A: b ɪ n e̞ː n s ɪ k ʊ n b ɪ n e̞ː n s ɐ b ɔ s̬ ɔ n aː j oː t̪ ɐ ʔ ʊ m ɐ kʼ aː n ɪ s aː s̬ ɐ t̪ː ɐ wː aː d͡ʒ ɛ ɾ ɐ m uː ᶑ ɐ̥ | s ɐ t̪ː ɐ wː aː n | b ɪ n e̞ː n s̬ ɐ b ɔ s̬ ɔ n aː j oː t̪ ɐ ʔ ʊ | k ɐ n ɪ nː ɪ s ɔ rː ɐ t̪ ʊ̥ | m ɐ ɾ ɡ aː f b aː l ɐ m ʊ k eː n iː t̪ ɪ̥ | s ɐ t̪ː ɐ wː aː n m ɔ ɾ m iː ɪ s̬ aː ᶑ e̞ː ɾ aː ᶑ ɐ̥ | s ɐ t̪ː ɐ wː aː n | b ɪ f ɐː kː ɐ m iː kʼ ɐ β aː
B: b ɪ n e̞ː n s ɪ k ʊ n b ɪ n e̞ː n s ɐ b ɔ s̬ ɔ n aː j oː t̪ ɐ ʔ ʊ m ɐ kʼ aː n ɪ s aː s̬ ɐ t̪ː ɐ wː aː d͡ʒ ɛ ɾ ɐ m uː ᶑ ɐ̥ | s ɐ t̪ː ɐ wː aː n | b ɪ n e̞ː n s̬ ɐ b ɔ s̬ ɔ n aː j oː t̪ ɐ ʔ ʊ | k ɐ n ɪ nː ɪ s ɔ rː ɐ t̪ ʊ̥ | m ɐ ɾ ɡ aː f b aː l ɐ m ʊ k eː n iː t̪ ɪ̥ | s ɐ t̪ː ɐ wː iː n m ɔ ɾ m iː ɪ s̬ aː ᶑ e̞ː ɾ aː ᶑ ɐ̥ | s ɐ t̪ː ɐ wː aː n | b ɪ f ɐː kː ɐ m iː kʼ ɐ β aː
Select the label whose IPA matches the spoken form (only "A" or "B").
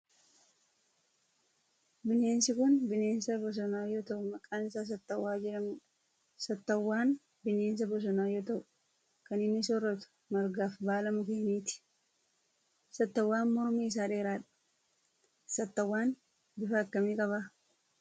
A